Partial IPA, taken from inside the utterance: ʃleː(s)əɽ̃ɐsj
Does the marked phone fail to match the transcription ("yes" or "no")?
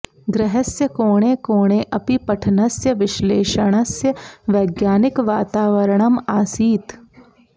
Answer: yes